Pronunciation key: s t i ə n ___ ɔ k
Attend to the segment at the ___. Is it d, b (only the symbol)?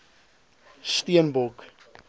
b